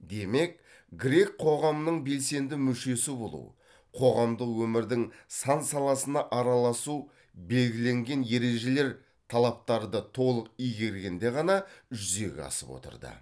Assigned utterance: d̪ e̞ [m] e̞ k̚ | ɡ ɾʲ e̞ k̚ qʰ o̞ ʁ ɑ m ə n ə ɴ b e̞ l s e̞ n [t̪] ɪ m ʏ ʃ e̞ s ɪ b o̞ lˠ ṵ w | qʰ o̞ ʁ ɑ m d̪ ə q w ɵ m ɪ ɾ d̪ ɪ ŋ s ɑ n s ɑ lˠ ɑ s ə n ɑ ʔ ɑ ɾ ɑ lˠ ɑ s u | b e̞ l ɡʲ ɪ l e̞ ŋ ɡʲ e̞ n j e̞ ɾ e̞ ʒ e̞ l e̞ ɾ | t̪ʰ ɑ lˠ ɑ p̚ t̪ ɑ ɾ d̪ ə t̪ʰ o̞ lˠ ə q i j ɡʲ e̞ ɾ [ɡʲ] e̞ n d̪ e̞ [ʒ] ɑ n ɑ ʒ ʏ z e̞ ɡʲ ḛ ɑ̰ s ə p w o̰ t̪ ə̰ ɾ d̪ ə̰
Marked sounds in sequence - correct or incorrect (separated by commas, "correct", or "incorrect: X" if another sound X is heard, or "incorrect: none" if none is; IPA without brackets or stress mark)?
correct, incorrect: d̪, correct, incorrect: ʁ